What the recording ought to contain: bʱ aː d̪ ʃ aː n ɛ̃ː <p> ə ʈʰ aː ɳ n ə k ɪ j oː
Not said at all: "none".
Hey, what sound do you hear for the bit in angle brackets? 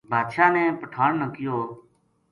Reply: p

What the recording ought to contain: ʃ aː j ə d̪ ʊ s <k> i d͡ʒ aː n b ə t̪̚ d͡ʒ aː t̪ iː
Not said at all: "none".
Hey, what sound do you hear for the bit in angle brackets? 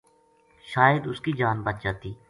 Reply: k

